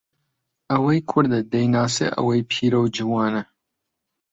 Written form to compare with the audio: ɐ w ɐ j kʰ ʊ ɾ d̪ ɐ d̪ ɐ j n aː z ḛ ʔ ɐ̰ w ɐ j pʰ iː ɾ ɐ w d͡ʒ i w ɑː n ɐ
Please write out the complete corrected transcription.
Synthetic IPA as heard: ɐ w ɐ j kʰ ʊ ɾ d̪ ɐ d̪ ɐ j n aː s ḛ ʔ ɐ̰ w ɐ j pʰ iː ɾ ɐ w d͡ʒ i w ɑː n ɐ

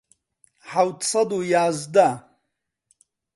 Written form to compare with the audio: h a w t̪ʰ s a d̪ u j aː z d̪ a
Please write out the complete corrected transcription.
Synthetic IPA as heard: ħ a w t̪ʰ s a d̪ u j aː z d̪ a

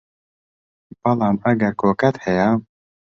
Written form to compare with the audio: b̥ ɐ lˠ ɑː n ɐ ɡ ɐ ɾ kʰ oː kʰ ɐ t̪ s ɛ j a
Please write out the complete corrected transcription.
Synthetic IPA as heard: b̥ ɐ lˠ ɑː m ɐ ɡ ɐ ɾ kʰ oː k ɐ t̪ h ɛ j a

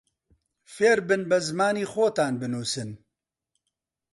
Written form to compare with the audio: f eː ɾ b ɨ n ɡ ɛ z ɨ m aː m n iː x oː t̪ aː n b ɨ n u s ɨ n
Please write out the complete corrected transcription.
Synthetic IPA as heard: f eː ɾ b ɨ n b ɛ z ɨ m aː n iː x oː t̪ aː n b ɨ n uː s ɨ n

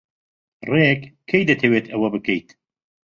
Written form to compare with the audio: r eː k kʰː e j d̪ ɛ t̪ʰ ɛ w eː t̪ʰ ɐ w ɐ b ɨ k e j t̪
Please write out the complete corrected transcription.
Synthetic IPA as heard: r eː k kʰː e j d̪ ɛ t̪ʰ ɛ w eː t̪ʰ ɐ w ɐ b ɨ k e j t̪

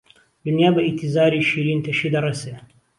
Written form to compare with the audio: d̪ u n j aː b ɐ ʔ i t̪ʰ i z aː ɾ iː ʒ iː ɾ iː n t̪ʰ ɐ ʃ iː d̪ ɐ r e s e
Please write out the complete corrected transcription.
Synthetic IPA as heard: d̪ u n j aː b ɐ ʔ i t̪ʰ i z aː ɾ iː ʃ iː ɾ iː n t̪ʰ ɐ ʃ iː d̪ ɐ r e s e

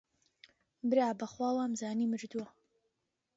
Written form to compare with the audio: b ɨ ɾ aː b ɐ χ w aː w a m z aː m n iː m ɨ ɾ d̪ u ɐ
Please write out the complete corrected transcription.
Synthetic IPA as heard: b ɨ ɾ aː b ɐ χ w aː w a m z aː n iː m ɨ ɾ d̪ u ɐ

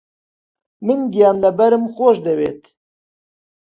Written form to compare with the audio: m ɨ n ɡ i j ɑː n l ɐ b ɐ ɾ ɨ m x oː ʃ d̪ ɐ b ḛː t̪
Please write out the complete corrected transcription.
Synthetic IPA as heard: m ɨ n ɡ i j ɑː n l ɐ b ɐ ɾ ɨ m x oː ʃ d̪ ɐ w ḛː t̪

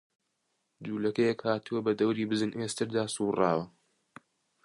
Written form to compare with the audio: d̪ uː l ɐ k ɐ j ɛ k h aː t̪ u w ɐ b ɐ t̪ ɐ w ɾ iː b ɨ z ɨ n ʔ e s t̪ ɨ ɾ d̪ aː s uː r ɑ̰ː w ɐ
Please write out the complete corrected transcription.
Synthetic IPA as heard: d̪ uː l ɐ k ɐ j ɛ k h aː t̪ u w ɐ b ɐ d̪ ɐ w ɾ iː b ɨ z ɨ n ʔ e s t̪ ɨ ɾ d̪ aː s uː r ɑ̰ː w ɐ

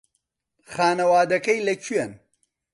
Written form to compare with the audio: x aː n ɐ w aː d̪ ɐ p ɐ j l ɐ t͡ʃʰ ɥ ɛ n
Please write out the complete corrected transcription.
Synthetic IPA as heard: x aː n ɐ w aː d̪ ɐ k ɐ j l ɐ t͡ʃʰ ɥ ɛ n

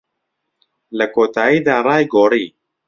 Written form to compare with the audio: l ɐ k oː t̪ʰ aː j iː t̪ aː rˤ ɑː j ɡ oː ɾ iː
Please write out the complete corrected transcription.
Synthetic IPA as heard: l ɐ k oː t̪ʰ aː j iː d̪ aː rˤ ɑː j ɡ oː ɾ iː

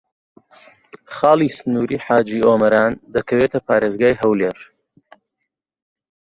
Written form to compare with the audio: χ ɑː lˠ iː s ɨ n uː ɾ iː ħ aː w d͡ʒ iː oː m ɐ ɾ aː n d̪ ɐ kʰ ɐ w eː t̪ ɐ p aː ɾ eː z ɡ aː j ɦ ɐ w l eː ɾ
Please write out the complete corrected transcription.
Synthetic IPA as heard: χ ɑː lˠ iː s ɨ n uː ɾ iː ħ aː d͡ʒ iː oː m ɐ ɾ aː n d̪ ɐ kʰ ɐ w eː t̪ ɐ p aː ɾ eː z ɡ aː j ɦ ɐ w l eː ɾ

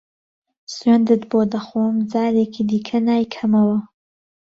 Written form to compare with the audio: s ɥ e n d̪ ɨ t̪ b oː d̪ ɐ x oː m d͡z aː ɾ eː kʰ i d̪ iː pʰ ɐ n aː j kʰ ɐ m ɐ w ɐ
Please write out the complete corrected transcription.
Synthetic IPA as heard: s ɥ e n d̪ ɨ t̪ b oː d̪ ɐ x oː m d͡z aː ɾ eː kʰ i d̪ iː kʰ ɐ n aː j kʰ ɐ m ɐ w ɐ

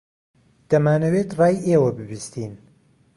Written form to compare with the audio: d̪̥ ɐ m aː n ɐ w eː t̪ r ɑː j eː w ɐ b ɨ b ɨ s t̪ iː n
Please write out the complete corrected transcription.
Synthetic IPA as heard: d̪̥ ɐ m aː n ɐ w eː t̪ r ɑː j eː w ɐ b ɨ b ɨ s t̪ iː n

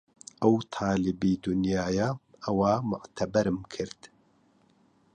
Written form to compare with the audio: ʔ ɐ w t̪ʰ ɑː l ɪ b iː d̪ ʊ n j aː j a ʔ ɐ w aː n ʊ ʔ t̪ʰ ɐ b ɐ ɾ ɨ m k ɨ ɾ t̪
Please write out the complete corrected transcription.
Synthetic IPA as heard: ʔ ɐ w t̪ʰ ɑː l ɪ b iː d̪ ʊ n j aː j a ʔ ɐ w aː m ʊ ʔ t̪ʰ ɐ b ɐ ɾ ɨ m kʰ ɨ ɾ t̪

